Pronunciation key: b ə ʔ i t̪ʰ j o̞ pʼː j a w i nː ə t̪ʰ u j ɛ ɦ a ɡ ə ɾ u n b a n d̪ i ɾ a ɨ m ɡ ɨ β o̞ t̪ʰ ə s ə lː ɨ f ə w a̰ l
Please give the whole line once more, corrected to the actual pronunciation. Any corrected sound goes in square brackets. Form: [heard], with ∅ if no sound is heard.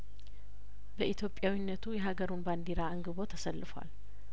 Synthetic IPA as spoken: b ə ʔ i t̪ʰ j o̞ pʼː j a w i nː ə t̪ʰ u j ɛ ɦ a ɡ ə ɾ u n b a n d̪ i ɾ a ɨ [ŋ] ɡ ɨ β o̞ t̪ʰ ə s ə lː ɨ f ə w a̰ l